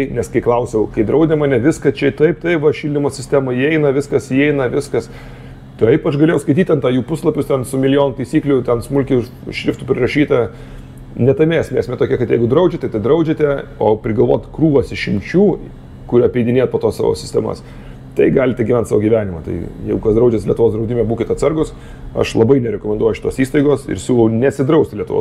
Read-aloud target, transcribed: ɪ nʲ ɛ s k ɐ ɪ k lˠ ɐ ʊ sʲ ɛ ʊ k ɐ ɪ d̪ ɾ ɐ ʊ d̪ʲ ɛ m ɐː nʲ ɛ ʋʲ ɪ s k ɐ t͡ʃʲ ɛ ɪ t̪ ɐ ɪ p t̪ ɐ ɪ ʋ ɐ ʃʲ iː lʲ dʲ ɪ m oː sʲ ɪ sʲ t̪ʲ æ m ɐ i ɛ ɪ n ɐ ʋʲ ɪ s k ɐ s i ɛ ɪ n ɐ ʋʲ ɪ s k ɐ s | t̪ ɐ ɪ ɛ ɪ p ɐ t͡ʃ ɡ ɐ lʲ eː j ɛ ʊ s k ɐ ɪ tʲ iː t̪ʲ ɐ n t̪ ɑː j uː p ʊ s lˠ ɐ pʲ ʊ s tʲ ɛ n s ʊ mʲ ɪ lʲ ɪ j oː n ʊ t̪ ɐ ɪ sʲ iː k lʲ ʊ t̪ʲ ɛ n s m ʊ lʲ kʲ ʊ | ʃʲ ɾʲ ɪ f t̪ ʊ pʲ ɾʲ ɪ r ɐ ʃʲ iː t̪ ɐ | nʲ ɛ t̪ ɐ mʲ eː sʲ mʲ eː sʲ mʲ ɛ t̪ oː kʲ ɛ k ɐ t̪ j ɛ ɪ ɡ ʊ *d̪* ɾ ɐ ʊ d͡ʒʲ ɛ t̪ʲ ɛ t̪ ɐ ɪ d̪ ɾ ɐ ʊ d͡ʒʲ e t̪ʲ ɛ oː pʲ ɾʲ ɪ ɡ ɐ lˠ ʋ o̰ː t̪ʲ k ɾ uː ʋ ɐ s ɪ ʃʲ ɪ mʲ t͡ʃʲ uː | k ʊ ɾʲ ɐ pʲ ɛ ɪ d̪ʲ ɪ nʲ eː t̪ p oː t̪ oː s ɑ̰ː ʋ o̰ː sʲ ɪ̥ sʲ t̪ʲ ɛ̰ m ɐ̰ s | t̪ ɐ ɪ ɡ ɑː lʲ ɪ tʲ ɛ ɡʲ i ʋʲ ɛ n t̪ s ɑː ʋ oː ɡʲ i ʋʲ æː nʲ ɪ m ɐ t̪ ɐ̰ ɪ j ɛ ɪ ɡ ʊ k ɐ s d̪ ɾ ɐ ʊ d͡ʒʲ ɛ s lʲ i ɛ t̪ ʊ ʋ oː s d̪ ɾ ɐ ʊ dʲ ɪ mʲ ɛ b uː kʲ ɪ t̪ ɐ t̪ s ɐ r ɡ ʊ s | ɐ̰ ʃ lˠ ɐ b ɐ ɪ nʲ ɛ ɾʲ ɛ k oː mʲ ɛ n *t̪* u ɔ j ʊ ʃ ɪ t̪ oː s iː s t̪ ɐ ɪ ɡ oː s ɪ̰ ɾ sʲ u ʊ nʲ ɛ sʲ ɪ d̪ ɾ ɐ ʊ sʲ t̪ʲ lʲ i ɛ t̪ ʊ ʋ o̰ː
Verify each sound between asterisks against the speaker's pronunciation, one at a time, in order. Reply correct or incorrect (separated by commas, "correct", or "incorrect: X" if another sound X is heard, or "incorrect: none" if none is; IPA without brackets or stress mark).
correct, incorrect: d̪